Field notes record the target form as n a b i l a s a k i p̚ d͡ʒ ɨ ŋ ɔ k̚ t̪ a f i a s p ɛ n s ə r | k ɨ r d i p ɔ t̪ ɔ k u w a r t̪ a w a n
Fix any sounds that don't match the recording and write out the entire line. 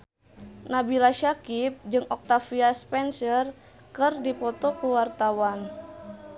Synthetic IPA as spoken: n a b i l a ʃ a k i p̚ d͡ʒ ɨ ŋ ɔ k̚ t̪ a f i a s p ɛ n s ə r | k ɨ r d i p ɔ t̪ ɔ k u w a r t̪ a w a n